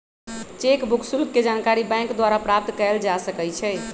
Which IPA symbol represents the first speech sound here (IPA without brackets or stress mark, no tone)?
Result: t͡ʃ